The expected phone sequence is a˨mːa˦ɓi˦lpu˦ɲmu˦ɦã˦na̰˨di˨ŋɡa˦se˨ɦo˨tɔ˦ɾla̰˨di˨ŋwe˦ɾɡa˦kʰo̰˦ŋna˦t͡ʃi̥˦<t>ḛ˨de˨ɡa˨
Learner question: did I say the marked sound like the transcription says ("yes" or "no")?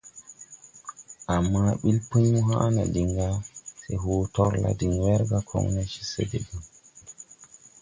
no